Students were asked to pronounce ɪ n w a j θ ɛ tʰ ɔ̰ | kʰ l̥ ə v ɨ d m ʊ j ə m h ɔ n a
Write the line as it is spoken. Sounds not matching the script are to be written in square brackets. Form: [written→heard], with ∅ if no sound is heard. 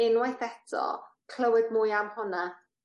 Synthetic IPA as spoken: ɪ n w a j θ ɛ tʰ ɔ̰ | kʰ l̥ ə [v→w] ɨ d m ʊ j [ə→a] m h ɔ n a